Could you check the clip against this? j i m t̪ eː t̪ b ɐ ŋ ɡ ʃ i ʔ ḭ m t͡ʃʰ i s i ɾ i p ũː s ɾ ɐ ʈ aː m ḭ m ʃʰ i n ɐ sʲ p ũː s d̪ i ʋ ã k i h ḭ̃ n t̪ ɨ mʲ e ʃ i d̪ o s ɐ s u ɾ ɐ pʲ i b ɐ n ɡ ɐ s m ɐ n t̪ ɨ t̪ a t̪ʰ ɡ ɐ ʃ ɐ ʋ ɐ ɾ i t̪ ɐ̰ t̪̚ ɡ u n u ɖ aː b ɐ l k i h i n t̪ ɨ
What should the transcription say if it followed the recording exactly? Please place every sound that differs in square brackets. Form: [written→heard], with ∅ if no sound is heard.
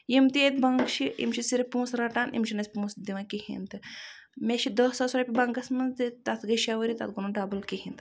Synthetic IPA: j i m t̪ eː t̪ b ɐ ŋ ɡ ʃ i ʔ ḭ m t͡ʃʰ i s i ɾ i p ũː s ɾ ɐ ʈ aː [m→n] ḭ m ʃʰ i n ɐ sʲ p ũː s d̪ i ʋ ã k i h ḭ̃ n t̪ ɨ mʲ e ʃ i d̪ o s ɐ s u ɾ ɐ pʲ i b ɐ [n→ŋ] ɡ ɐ s m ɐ n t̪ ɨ t̪ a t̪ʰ ɡ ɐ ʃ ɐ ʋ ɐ ɾ i t̪ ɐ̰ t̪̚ ɡ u n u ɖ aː b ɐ l k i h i n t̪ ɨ